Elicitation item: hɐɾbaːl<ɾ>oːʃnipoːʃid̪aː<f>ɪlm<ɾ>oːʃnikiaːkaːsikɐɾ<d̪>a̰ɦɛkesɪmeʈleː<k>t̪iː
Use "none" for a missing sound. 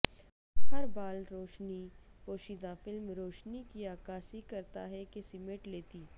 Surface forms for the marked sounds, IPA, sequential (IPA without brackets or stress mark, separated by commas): ɾ, f, ɾ, t̪, none